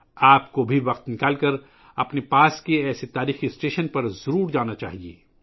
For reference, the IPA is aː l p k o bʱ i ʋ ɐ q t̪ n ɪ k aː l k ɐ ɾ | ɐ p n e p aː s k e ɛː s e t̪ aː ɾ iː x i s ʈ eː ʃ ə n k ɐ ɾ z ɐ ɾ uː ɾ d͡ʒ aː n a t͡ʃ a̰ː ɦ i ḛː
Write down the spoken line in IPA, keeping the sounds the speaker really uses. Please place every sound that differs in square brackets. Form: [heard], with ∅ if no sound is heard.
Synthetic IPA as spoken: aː [∅] p k o bʱ i ʋ ɐ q t̪ n ɪ k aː l k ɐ ɾ | ɐ p n e p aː s k e ɛː s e t̪ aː ɾ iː x i s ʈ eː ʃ ə n [p] ɐ ɾ z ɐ ɾ uː ɾ d͡ʒ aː n a t͡ʃ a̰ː ɦ i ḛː

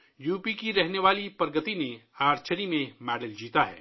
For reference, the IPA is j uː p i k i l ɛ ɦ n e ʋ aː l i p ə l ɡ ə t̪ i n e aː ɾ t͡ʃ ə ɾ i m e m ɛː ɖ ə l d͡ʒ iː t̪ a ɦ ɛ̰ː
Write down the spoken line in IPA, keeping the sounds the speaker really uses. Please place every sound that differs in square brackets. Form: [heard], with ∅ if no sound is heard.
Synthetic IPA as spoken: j uː p i k i [ɾ] ɛ ɦ n e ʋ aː l i p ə [ɾ] ɡ ə t̪ i n e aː ɾ t͡ʃ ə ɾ i m [ẽ] m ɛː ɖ ə l d͡ʒ iː t̪ a ɦ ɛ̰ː

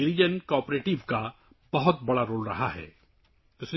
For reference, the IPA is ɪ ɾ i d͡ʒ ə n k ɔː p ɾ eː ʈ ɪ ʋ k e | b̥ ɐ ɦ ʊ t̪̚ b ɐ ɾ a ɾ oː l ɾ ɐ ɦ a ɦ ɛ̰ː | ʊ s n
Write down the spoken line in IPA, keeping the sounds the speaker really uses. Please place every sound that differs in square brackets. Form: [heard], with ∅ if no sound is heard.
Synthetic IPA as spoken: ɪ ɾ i d͡ʒ ə n k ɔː p ɾ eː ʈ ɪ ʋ k [a] | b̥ ɐ ɦ ʊ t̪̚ b ɐ [ɽ] a ɾ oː l ɾ ɐ ɦ a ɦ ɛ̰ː | ʊ s n

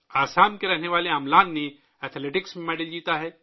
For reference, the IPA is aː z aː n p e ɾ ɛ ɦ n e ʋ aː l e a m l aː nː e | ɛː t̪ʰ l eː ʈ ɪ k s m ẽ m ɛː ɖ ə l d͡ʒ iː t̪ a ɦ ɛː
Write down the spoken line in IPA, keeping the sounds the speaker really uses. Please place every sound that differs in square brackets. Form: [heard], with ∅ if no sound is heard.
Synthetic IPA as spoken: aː [s] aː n [k] e ɾ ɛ ɦ n e ʋ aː l e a m l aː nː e | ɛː t̪ʰ l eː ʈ ɪ k s m ẽ m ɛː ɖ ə l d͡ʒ iː t̪ a ɦ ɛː

